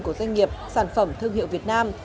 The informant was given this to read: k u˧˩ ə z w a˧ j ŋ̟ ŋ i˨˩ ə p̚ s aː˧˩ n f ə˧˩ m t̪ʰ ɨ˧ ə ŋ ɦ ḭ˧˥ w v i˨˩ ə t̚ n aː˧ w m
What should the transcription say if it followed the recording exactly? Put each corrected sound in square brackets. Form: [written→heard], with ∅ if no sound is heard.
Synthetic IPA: k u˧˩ ə z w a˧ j ŋ̟ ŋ i˨˩ ə p̚ s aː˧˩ n f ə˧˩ m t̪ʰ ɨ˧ ə ŋ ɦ [ḭ˧˥→ḭ˧˨] w v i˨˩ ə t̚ n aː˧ [w→∅] m

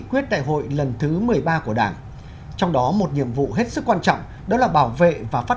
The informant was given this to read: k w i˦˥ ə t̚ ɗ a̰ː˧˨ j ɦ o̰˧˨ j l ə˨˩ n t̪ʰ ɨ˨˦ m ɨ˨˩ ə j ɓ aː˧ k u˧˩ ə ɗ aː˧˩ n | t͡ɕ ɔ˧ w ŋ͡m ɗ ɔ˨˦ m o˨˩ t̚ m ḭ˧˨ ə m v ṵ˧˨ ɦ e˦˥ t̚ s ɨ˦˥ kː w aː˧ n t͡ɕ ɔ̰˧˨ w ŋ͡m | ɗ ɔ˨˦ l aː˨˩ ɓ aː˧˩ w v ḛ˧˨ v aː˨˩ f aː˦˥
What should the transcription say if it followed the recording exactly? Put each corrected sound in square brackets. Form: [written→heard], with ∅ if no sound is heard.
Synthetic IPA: k w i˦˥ ə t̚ ɗ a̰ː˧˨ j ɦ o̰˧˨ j l ə˨˩ n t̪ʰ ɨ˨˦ m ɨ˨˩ ə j ɓ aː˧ k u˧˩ ə ɗ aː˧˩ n | t͡ɕ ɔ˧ w ŋ͡m ɗ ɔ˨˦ m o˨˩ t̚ [m→ɲ] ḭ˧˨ ə m v ṵ˧˨ ɦ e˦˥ t̚ s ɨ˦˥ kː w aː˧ n t͡ɕ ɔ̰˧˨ w ŋ͡m | ɗ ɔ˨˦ l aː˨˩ ɓ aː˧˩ w v ḛ˧˨ v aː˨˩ f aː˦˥

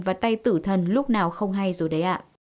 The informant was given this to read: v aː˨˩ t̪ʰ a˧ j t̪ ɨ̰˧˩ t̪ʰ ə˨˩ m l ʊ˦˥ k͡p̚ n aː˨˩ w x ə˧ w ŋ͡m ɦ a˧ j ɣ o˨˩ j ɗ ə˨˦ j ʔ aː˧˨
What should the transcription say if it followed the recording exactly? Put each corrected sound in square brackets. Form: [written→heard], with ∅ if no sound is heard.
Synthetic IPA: v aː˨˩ [t̪ʰ→t̪] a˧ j t̪ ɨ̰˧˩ t̪ʰ ə˨˩ [m→n] l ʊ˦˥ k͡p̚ n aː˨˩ w x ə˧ w ŋ͡m ɦ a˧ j [ɣ→z] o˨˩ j ɗ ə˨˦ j ʔ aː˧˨

